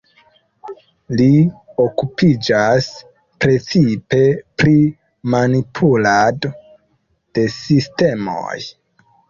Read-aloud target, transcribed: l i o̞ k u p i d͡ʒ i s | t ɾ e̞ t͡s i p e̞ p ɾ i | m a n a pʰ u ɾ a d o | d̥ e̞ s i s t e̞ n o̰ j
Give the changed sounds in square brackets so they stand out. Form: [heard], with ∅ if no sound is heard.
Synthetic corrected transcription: l i o̞ k u p i d͡ʒ [a] s | [p] ɾ e̞ t͡s i p e̞ p ɾ i | m a n [i] pʰ u [l] a d o | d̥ e̞ s i s t e̞ [m] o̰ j

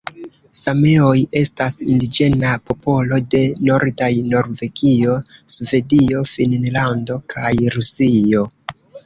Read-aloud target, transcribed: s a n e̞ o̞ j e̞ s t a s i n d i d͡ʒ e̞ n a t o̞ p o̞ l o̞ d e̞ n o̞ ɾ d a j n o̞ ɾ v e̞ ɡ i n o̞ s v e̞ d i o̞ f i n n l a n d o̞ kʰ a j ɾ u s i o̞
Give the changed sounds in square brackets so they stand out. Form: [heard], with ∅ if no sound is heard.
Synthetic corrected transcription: s a [m] e̞ o̞ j e̞ s t a s i n d i d͡ʒ e̞ n a [p] o̞ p o̞ l o̞ d e̞ n o̞ ɾ d a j n o̞ ɾ v e̞ ɡ i [∅] o̞ s v e̞ d i o̞ f i n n l a n d o̞ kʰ a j ɾ u s i o̞

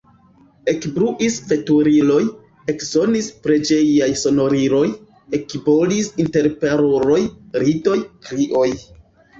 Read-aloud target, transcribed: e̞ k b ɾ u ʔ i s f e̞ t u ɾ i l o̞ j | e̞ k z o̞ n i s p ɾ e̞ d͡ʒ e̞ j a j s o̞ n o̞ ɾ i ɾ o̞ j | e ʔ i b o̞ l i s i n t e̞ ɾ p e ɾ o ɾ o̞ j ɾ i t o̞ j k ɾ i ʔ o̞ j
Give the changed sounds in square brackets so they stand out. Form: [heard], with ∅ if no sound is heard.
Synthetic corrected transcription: e̞ k b ɾ u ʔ i s f e̞ t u ɾ i l o̞ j | e̞ k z o̞ n i s p ɾ e̞ d͡ʒ e̞ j a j s o̞ n o̞ ɾ i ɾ o̞ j | e [k] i b o̞ l i s i n t e̞ ɾ p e ɾ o ɾ o̞ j ɾ i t o̞ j k ɾ i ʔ o̞ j

